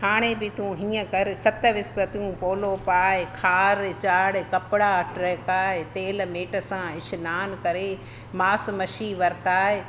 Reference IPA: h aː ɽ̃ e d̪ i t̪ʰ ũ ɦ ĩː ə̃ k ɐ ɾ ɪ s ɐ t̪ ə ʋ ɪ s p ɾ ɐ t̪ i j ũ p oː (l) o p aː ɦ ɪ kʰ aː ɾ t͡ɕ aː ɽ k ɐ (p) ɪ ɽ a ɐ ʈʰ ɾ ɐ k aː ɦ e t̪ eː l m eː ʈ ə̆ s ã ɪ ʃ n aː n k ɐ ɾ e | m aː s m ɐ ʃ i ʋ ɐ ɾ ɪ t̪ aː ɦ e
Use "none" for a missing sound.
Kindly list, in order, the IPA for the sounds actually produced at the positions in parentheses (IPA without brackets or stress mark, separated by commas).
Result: l, p